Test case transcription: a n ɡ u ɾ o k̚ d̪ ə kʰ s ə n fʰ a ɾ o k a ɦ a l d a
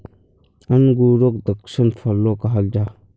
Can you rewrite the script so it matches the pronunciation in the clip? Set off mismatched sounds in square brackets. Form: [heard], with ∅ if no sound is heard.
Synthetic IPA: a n ɡ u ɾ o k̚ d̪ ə [k] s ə n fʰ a [l] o k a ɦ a l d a